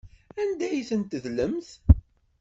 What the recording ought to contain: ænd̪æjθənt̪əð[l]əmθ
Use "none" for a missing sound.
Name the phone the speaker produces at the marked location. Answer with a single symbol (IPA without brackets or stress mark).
l